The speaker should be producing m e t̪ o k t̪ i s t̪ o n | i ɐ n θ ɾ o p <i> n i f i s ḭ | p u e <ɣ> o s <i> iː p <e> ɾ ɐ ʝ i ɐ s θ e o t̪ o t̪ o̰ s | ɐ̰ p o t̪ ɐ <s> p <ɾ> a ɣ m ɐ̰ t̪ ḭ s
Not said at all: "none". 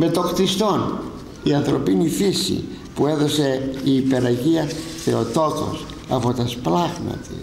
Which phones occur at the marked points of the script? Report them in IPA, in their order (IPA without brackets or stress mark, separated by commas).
i, ð, e, e, s, l